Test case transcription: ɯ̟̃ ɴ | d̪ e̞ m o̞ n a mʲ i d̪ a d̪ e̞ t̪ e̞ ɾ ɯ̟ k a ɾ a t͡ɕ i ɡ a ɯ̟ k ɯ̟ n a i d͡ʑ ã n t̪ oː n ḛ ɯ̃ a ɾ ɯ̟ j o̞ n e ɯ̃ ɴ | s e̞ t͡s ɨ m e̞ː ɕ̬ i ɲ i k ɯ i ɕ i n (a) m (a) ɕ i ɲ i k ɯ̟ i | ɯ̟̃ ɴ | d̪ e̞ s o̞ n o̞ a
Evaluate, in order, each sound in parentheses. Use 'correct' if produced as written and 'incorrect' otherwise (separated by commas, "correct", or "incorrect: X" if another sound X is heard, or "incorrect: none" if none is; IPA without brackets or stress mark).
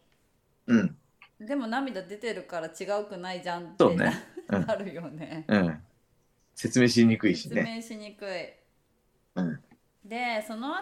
incorrect: e, incorrect: e